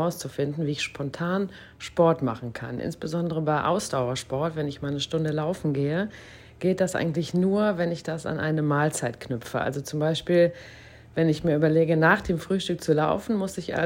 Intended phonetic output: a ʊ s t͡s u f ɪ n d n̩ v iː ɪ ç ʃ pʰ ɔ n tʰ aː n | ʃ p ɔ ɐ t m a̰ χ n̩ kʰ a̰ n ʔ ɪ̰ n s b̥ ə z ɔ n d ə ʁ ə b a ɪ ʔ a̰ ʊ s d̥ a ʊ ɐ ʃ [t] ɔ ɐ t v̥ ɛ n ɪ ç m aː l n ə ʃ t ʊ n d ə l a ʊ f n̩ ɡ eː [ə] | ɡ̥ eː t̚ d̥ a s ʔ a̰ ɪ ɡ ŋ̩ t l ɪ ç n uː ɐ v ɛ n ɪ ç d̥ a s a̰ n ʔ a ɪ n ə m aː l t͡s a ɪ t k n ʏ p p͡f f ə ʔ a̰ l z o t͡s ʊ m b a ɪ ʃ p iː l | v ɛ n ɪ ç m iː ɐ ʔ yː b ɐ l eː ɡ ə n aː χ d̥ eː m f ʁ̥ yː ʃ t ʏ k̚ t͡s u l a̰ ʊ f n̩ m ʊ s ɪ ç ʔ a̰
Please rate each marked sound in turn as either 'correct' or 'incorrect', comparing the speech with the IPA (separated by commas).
incorrect, correct